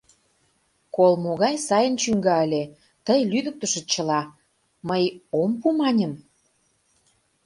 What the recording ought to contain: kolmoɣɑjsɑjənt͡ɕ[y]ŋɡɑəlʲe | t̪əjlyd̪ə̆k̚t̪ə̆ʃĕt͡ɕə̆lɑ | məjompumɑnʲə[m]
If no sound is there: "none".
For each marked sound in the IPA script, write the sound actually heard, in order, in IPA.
y, m

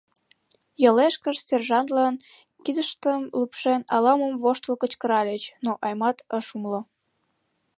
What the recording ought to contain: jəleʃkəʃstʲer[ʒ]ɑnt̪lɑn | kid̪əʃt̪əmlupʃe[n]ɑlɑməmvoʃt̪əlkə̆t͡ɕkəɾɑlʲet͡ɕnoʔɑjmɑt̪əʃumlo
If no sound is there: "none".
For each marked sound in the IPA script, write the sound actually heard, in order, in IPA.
ʒ, n

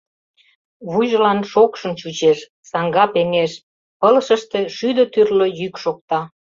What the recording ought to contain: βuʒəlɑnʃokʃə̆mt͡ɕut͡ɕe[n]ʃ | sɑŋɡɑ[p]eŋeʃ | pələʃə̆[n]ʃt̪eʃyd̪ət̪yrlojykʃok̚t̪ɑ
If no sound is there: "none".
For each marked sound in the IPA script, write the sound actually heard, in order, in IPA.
none, p, none

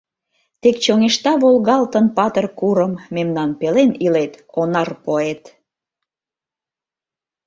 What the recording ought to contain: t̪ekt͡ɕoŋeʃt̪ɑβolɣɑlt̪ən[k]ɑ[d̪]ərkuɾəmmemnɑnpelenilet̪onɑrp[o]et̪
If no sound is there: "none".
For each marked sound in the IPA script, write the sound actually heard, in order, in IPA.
p, t̪, o

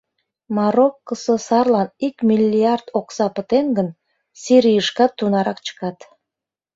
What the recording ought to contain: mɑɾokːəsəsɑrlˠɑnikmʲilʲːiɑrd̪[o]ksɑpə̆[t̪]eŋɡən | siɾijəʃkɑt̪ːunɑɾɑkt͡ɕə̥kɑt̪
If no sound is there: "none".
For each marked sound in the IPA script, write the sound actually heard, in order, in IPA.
o, t̪

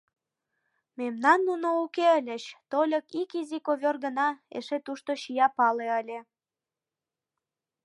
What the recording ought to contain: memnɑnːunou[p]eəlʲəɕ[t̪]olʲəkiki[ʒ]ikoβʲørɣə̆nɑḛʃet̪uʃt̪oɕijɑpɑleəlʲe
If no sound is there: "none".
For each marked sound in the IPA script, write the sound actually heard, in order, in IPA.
k, t̪, z

